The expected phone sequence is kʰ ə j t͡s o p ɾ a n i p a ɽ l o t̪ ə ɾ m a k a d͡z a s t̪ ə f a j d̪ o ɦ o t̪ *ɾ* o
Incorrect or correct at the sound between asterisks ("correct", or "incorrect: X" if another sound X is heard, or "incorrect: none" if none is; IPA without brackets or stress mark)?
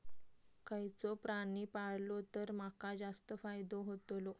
incorrect: l